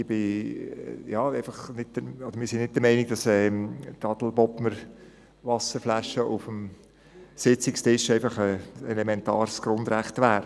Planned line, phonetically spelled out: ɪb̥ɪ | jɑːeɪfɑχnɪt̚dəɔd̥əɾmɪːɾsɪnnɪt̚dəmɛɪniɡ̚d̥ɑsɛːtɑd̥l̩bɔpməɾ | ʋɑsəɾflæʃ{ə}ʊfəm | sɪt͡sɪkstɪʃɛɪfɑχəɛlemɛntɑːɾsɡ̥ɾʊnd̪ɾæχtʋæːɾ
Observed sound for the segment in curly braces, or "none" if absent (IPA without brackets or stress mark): ə